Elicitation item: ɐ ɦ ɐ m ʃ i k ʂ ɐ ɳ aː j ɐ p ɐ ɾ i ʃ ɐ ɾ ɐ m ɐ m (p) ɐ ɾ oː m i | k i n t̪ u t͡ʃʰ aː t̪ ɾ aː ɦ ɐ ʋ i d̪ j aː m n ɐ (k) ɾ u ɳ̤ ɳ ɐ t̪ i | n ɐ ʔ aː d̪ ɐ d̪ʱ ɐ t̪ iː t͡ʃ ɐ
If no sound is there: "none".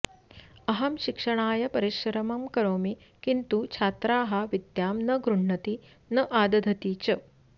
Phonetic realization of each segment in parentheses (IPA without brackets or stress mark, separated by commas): k, ɡ